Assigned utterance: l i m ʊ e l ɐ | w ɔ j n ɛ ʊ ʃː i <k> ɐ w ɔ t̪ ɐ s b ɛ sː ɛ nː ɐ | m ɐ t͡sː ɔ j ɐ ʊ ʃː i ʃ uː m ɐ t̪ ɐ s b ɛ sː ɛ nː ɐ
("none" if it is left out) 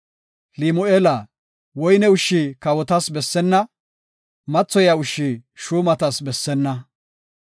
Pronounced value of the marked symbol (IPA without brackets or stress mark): k